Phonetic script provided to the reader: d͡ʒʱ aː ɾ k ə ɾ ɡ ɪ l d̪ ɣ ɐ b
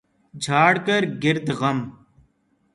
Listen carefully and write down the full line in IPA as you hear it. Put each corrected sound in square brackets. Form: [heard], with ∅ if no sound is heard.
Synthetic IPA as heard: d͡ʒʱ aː [ɽ] k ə ɾ ɡ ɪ [ɾ] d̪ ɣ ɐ [m]